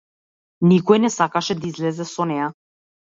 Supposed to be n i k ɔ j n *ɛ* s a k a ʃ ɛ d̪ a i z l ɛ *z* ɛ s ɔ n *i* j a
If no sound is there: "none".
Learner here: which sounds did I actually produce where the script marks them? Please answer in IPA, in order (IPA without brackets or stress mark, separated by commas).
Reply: ɛ, z, ɛ